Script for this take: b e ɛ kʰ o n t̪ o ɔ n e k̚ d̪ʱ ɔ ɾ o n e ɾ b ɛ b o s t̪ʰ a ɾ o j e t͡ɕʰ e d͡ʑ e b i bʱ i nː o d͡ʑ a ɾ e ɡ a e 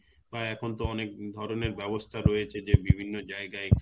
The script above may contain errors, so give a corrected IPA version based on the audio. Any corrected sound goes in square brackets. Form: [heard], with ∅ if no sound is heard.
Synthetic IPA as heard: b [a] ɛ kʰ o n t̪ o ɔ n e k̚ d̪ʱ ɔ ɾ o n e ɾ b ɛ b o s t̪ʰ a ɾ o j e t͡ɕʰ e d͡ʑ e b i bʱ i nː o d͡ʑ a [∅] e ɡ a e